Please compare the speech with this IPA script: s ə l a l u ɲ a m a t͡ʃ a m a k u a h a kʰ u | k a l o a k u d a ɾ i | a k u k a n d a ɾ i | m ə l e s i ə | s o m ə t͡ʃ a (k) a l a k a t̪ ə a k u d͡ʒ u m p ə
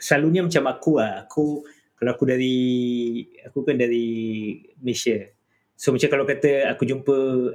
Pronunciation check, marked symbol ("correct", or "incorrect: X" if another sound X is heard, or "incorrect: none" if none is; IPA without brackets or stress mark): correct